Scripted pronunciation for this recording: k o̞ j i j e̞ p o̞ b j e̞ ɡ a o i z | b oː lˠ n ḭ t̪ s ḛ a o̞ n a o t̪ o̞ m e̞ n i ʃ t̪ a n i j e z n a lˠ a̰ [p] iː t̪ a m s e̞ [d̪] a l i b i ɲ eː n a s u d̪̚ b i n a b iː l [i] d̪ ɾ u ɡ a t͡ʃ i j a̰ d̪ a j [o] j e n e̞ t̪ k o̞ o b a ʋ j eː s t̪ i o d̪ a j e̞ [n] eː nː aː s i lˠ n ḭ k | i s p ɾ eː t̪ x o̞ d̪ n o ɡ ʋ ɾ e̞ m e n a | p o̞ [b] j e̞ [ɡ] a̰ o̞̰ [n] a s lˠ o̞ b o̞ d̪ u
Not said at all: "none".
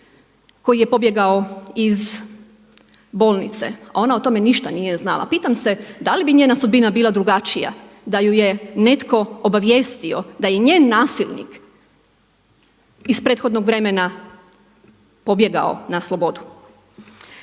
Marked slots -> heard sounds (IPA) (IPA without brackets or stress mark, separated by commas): p, d̪, a, u, ɲ, b, ɡ, n